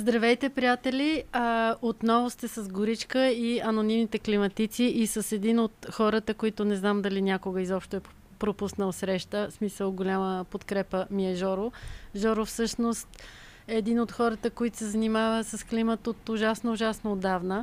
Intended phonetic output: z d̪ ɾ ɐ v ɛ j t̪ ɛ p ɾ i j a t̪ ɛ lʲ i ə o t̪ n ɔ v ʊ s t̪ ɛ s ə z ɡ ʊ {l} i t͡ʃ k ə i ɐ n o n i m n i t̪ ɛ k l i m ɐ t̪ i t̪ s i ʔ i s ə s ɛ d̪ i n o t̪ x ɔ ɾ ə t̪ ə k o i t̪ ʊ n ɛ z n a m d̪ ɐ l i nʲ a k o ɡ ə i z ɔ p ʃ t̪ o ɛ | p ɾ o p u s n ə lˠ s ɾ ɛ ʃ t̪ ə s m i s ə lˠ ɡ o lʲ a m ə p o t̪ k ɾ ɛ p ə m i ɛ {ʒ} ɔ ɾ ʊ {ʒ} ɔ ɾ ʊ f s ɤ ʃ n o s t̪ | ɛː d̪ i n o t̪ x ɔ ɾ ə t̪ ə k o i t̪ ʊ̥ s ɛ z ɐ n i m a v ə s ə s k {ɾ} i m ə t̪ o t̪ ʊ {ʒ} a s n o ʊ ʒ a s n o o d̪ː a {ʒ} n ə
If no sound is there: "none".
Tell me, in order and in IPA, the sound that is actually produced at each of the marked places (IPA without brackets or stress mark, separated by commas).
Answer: ɾ, ʒ, ʒ, l, ʒ, v